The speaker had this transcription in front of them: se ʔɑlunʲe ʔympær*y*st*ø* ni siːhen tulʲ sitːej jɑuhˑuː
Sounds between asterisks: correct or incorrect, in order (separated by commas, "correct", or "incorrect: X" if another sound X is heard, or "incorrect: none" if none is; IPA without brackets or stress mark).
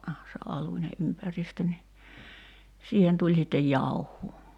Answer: incorrect: i, correct